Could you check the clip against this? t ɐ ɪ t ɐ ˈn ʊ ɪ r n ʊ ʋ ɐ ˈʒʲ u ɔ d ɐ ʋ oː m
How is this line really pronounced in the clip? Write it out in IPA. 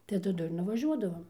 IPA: t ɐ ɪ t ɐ ˈd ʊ ɪ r n ʊ ʋ ɐ ˈʒʲ u ɔ d ɐ ʋ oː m

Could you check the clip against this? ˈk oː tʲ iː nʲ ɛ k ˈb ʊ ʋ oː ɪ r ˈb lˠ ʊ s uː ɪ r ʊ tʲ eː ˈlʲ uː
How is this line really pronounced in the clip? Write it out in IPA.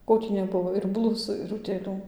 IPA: ˈk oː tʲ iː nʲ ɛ ˈb ʊ ʋ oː ɪ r ˈb lˠ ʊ s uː ɪ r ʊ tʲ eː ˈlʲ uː

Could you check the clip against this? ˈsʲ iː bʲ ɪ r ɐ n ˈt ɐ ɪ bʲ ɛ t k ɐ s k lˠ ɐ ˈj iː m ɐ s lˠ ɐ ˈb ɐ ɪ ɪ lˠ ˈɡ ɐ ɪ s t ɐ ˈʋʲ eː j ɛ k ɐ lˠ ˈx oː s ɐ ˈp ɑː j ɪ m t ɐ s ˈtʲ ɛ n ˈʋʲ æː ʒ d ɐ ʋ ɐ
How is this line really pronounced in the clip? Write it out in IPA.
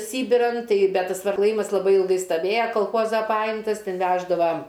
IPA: ˈsʲ iː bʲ ɪ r ɐ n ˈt ɐ ɪ bʲ ɛ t t ɐ s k lˠ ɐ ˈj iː m ɐ s lˠ ɐ ˈb ɐ ɪ ɪ lˠ ˈɡ ɐ ɪ s t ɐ ˈʋʲ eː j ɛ k ɐ lˠ ˈx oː z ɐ ˈp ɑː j ɪ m t ɐ s ˈtʲ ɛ n ˈʋʲ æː ʒ d ɐ ʋ ɐ

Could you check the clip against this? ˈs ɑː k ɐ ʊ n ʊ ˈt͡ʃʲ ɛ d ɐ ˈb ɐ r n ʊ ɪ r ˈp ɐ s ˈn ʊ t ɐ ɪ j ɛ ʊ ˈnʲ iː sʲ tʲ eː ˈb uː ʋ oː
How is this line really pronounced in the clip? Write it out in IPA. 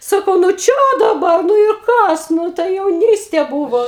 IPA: ˈs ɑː k ɐ ʊ n ʊ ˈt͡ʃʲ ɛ d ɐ ˈb ɐ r n ʊ ɪ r ˈk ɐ s ˈn ʊ t ɐ ɪ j ɛ ʊ ˈnʲ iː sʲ tʲ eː ˈb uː ʋ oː

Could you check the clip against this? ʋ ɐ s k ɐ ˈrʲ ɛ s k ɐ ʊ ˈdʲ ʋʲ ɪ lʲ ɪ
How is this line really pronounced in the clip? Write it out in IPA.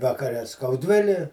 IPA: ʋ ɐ k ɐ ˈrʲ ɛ s k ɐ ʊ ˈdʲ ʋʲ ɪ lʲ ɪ

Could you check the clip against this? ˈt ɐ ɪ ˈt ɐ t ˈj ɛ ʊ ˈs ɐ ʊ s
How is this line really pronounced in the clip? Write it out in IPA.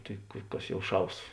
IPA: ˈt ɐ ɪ ˈk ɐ s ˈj ɛ ʊ ˈʃ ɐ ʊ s

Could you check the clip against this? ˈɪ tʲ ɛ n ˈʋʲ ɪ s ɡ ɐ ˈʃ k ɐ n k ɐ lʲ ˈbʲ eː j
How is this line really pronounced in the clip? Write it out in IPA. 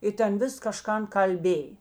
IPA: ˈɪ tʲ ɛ n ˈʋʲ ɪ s k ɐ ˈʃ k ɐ n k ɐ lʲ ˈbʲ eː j

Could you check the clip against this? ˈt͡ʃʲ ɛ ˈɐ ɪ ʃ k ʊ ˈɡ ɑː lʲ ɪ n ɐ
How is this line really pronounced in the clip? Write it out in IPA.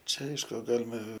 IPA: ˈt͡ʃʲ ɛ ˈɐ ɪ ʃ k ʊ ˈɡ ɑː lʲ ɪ m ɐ

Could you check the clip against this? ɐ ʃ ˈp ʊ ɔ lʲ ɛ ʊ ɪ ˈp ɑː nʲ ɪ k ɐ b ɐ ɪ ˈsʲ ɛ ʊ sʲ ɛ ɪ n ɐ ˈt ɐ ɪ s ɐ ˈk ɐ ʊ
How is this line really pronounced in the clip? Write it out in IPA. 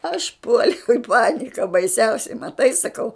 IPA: ɐ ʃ ˈp u ɔ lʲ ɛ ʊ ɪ ˈp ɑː nʲ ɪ k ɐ b ɐ ɪ ˈsʲ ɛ ʊ sʲ ɛ ɪ m ɐ ˈt ɐ ɪ s ɐ ˈk ɐ ʊ

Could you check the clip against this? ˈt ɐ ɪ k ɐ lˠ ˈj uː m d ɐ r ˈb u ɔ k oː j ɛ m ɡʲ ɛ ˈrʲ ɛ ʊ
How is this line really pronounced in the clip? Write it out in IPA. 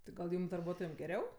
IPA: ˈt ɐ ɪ ɡ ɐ lˠ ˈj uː m d ɐ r ˈb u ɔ t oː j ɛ m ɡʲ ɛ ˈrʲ ɛ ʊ

